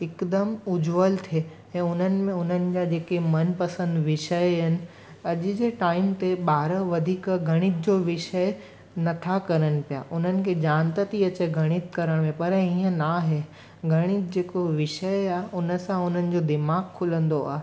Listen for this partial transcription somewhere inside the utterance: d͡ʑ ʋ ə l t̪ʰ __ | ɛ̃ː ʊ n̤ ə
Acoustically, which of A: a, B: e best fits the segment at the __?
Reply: B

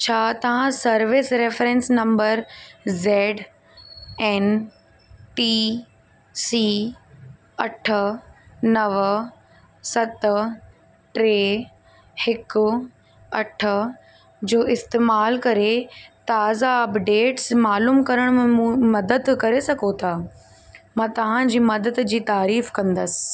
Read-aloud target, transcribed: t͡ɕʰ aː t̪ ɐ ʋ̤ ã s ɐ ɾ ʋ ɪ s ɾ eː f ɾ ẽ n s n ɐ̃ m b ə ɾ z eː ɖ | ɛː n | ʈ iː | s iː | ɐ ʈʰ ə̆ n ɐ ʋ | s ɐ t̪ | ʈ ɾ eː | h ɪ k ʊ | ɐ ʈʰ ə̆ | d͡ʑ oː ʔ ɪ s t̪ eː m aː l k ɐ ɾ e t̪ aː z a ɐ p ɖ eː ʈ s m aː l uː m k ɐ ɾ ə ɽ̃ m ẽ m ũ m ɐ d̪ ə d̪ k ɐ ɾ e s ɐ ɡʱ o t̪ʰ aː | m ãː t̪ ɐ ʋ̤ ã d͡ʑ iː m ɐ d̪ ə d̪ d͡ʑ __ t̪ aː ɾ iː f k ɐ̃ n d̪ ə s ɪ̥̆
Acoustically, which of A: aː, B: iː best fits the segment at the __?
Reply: B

